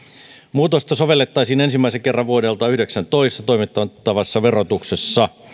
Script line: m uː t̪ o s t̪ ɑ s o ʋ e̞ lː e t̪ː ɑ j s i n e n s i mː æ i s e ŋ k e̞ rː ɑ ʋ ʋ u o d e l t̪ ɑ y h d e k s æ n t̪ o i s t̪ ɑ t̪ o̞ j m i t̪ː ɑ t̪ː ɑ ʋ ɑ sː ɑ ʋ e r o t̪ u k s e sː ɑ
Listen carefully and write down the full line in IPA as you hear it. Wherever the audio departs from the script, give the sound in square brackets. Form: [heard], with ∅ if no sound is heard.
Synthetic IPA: m uː t̪ o s t̪ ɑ s o ʋ e̞ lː e t̪ː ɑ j s [iː] n e n s i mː æ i s e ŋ k e̞ rː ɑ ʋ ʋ u o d e l t̪ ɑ y h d e k s æ n t̪ o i s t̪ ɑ t̪ o̞ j m i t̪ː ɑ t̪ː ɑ ʋ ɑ sː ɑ ʋ e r o t̪ u k s e sː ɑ